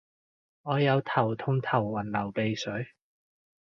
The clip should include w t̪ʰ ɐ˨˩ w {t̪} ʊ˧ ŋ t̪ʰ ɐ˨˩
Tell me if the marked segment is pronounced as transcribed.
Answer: no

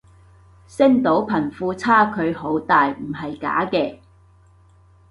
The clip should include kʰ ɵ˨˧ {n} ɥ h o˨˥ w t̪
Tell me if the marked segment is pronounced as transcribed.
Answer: no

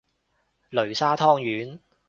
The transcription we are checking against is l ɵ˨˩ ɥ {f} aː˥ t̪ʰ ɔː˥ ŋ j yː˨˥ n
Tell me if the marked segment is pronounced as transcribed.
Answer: no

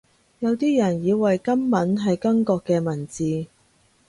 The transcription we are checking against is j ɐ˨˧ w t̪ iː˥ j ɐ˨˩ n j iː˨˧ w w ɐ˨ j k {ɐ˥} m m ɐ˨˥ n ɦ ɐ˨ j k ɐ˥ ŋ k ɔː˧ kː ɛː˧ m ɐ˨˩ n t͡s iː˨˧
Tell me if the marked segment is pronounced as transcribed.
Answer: yes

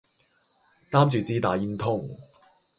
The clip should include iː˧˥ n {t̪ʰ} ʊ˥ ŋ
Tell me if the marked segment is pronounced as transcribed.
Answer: yes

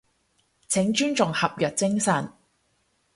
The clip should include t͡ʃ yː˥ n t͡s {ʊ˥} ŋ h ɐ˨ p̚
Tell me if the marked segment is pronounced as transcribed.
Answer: no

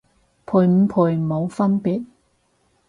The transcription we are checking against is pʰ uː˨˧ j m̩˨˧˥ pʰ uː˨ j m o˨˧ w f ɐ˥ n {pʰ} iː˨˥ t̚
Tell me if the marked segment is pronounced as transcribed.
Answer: no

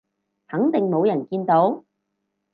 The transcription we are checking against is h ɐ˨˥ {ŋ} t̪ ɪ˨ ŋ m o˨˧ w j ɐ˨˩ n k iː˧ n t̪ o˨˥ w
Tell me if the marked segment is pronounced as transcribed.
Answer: yes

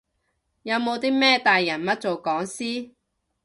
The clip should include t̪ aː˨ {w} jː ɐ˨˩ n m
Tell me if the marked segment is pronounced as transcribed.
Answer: no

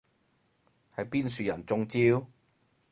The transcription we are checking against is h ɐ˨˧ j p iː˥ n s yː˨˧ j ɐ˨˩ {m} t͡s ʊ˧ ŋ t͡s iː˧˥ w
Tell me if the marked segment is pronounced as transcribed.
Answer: no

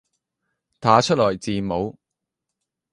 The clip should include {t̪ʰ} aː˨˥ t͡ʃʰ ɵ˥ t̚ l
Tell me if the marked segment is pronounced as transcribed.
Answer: yes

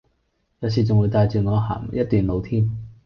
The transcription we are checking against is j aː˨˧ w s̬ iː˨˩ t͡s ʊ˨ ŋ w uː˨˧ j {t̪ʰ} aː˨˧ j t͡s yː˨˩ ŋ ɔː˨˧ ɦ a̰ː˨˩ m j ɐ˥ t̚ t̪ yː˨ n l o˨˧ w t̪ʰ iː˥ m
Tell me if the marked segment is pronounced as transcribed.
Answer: no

